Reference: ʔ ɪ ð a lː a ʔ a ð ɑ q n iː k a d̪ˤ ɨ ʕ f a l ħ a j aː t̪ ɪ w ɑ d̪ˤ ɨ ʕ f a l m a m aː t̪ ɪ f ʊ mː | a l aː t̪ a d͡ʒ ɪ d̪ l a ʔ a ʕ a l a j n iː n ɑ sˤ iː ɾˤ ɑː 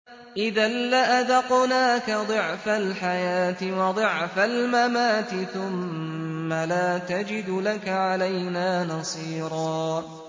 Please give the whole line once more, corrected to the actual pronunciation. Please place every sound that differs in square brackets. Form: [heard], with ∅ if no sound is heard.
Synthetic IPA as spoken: ʔ ɪ ð a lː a ʔ a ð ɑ q n [aː] k a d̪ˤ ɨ ʕ f a l ħ a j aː t̪ ɪ w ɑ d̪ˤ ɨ ʕ f a l m a m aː t̪ ɪ [θ] ʊ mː | a l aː t̪ a d͡ʒ ɪ d̪ l a [k] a ʕ a l a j n [aː] n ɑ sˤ iː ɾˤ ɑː